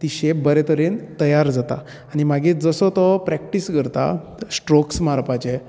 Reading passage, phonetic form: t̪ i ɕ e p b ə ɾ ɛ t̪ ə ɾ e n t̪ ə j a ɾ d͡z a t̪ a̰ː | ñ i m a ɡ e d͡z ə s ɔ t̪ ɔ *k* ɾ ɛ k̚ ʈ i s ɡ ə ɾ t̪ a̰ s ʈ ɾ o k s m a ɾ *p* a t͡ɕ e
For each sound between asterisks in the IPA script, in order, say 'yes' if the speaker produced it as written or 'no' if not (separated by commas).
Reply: no, yes